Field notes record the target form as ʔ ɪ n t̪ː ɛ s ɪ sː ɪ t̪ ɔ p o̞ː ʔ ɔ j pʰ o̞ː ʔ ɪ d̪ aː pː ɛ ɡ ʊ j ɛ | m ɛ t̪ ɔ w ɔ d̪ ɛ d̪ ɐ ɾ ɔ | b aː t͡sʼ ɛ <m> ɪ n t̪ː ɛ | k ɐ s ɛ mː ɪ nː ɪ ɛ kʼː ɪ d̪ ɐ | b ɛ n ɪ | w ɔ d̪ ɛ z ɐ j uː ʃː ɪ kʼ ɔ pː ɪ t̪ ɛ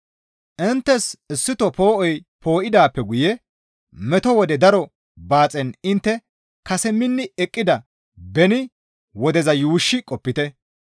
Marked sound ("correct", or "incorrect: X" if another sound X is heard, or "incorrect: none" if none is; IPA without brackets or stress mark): incorrect: n